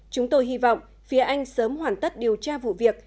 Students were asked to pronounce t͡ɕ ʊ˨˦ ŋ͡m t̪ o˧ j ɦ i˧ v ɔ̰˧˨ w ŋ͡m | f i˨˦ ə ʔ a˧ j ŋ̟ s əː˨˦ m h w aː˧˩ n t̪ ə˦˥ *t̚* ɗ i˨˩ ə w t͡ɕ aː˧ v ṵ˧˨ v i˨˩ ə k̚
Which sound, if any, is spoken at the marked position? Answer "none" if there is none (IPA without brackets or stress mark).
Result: t̚